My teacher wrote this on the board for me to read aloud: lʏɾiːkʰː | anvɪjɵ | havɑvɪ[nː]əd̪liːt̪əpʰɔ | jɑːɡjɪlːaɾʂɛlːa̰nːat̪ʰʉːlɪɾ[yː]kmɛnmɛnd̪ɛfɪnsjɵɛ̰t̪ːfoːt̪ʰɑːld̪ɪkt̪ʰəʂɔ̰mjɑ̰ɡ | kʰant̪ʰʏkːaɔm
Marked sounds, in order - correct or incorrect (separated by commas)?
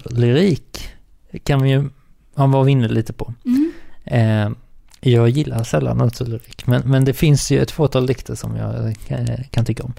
correct, incorrect